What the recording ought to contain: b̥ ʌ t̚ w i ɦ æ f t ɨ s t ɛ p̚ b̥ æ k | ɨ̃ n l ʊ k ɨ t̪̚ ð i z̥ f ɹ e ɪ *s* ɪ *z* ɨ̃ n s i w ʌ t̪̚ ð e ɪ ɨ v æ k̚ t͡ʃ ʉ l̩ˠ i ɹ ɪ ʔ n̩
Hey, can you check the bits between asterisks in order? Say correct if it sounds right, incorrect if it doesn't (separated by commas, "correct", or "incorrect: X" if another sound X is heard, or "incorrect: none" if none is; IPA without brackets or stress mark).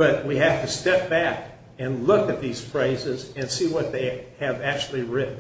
incorrect: z, correct